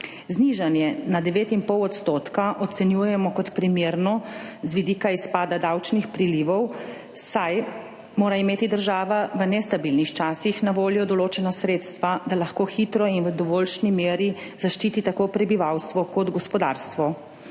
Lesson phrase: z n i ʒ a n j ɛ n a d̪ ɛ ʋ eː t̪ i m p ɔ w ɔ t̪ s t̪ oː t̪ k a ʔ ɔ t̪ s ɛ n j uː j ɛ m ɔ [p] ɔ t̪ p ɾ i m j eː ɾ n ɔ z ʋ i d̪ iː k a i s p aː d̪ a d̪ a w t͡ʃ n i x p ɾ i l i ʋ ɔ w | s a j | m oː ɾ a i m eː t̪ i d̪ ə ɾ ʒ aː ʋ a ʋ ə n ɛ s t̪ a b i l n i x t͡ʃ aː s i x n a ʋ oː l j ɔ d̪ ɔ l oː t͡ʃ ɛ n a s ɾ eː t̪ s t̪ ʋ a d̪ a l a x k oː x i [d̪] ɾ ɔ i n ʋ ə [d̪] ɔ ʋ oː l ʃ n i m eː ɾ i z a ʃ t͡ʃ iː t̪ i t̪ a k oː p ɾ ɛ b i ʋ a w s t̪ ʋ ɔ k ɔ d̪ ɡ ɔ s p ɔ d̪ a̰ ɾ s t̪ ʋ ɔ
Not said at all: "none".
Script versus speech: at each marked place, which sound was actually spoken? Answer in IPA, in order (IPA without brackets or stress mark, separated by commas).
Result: k, t̪, d̪